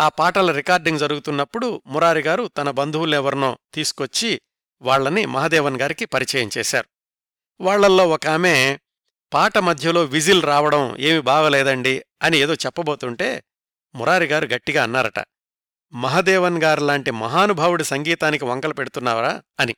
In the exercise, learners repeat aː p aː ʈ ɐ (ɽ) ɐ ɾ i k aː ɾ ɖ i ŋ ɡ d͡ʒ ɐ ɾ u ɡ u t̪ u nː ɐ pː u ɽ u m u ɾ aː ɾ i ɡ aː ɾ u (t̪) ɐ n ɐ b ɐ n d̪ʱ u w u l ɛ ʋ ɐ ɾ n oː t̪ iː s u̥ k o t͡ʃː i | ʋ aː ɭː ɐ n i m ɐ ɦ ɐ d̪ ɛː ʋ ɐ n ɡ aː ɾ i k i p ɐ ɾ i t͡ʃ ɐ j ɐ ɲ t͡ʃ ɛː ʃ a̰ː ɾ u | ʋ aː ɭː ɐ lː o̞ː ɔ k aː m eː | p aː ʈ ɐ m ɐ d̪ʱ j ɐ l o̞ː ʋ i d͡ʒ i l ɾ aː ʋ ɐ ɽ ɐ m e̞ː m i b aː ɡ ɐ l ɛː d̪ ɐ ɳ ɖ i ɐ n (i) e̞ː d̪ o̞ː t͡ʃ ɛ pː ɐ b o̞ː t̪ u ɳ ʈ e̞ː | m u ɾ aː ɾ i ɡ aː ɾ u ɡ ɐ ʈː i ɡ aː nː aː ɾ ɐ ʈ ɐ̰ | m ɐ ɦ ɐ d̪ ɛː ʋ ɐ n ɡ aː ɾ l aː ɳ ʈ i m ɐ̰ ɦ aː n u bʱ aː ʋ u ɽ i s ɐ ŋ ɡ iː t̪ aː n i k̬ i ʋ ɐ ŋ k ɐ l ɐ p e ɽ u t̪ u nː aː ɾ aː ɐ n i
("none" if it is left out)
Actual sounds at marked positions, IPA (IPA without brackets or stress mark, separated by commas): l, t̪, i